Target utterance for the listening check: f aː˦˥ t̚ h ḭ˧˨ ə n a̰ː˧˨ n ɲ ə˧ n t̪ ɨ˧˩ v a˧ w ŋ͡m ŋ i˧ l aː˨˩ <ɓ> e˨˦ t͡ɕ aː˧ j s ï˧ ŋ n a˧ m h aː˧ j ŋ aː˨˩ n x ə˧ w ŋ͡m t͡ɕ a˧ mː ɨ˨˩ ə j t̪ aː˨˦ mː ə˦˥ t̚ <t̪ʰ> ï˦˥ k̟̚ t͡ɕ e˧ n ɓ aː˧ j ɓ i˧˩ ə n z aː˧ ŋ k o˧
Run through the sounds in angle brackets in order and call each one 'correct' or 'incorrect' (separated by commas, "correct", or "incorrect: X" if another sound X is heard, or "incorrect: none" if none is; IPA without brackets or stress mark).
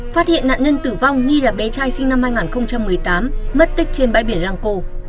correct, incorrect: t̪